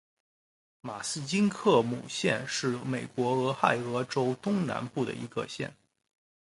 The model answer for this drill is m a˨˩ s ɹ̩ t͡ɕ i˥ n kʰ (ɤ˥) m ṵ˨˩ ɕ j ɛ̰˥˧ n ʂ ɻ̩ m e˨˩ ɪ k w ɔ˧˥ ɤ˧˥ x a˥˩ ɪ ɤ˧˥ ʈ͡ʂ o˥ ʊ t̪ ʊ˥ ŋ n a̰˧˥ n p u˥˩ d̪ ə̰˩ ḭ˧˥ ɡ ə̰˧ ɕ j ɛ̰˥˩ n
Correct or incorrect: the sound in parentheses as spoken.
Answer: incorrect: ɤ˥˩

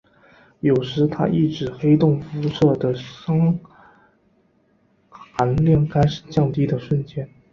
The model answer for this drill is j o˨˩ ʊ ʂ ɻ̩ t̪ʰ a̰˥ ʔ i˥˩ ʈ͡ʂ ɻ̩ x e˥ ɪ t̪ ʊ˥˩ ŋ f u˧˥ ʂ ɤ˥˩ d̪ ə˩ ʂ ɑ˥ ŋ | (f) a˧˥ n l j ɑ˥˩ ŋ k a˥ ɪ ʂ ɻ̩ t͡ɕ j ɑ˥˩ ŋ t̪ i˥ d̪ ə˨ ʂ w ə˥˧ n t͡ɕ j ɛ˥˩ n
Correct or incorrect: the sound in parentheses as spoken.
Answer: incorrect: x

